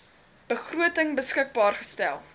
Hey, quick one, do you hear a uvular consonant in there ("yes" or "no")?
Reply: yes